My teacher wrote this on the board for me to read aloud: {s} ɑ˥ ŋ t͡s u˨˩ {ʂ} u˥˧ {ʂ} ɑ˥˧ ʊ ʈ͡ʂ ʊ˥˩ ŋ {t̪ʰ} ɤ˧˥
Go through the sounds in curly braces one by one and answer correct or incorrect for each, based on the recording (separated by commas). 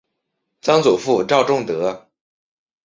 incorrect, incorrect, incorrect, incorrect